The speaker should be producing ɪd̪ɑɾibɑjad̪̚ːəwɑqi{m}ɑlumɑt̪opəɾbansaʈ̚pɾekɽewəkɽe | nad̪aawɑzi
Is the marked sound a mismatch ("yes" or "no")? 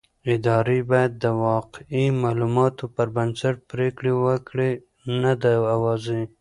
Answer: no